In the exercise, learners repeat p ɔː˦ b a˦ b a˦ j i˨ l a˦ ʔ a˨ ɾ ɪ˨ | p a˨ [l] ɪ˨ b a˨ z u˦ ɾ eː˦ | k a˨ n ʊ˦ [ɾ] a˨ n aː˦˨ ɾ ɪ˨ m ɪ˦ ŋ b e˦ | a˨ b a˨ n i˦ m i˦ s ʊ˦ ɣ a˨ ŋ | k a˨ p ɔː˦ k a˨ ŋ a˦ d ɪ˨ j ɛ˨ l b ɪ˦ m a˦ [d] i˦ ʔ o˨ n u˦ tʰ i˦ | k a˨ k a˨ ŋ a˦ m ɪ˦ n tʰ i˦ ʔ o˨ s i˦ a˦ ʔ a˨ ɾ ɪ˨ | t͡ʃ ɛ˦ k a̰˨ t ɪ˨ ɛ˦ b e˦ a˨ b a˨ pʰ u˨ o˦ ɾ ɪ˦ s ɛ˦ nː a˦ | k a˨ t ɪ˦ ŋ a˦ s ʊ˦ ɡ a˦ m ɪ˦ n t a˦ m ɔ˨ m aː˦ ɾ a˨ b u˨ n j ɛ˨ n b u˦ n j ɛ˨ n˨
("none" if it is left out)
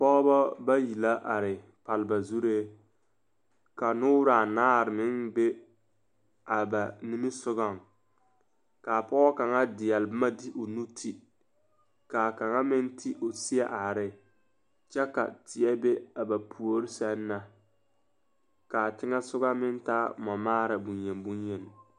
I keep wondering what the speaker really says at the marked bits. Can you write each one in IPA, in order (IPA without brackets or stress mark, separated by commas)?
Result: l, ɾ, d